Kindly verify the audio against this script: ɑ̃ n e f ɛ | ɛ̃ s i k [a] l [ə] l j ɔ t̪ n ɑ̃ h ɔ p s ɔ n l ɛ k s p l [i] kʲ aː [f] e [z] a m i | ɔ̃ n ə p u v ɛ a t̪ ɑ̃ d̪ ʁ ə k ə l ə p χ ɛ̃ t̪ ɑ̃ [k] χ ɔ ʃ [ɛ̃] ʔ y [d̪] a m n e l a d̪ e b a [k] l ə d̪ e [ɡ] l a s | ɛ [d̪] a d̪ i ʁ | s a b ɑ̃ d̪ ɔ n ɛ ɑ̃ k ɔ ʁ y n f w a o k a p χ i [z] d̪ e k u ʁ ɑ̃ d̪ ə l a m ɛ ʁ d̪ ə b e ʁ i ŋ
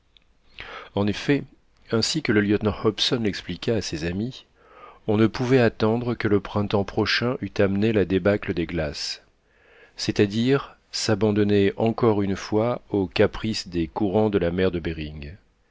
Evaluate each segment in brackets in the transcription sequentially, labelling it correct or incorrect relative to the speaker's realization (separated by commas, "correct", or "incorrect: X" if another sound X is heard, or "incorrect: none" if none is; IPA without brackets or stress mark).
incorrect: ə, correct, correct, incorrect: s, correct, incorrect: p, correct, incorrect: t̪, correct, correct, incorrect: t̪, incorrect: s